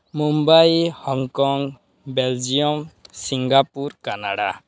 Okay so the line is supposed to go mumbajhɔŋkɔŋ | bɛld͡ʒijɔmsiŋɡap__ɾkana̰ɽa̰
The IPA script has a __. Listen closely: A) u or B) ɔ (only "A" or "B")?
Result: A